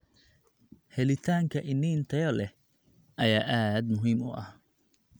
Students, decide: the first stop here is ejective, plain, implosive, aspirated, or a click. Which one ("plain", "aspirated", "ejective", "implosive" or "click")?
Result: aspirated